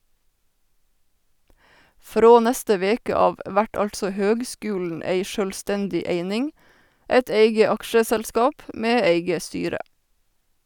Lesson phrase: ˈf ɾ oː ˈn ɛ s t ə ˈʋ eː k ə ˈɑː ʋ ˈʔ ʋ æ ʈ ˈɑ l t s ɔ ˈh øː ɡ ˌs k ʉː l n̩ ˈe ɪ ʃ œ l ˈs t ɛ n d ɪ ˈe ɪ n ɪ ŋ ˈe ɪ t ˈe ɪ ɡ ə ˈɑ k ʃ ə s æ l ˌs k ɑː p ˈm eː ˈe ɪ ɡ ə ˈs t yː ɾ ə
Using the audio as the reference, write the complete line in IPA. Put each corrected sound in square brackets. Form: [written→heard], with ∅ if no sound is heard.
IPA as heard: ˈf ɾ oː ˈn ɛ s t ə ˈʋ eː k ə ˈɑː ʋ ˈʔ ʋ æ ʈ ˈɑ l t s ɔ ˈh øː ɡ ˌs k ʉː l n̩ ˈe ɪ ʃ œ l ˈs t ɛ n d ɪ ˈe ɪ n ɪ ŋ ˈe ɪ t ˈe ɪ ɡ ə ˈɑ k ʃ ə s æ l ˌs k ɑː p ˈm eː ˈe ɪ ɡ ə ˈs t yː ɾ ə